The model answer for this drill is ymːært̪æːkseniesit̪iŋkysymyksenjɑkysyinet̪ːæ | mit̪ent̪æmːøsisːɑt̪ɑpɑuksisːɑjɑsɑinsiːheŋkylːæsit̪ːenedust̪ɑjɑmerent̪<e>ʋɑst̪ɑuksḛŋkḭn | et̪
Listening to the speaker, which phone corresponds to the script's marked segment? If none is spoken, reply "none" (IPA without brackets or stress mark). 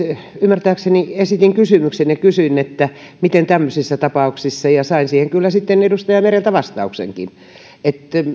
æ